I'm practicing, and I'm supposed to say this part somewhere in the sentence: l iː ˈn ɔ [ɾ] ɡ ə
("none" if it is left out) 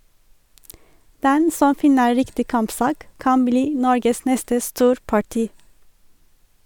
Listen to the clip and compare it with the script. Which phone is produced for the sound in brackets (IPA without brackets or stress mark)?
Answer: ɹ